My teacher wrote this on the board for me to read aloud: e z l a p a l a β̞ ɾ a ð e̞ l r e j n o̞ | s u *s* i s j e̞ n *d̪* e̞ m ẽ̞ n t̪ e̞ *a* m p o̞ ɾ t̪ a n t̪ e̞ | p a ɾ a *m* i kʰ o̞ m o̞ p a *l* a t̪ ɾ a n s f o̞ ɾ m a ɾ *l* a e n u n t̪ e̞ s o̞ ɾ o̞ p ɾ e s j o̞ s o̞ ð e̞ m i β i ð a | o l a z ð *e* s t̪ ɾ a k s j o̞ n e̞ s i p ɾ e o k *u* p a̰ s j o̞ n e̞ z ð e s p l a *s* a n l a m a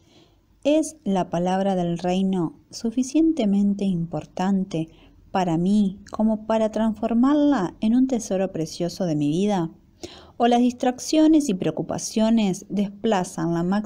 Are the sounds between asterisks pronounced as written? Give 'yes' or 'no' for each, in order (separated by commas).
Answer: no, no, no, yes, no, yes, no, yes, yes